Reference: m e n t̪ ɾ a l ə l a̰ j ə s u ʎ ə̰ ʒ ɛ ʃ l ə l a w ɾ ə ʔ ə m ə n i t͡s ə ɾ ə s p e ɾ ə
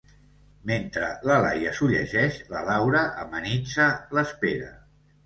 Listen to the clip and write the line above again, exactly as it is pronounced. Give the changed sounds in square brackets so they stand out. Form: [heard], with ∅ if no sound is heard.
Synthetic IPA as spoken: m e n t̪ ɾ [ə] l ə l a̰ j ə s u ʎ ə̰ ʒ ɛ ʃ l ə l a w ɾ ə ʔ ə m ə n i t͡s ə [l] ə s p e ɾ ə